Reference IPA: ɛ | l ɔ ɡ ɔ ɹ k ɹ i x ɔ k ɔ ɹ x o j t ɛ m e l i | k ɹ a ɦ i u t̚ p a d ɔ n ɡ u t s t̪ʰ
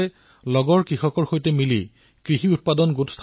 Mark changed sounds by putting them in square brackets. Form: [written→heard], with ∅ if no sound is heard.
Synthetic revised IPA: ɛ | l ɔ ɡ ɔ ɹ k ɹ i x ɔ k ɔ ɹ x o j t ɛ m [e→i] l i | k ɹ [a→i] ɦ i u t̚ p a d ɔ n ɡ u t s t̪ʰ